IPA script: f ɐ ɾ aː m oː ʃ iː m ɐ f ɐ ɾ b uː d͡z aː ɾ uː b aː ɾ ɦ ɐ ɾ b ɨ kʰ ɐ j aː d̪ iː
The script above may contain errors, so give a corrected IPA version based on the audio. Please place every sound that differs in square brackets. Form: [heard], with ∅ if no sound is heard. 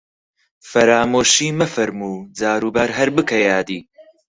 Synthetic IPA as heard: f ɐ ɾ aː m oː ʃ iː m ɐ f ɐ ɾ [m] uː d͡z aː ɾ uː b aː ɾ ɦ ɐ ɾ b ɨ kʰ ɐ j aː d̪ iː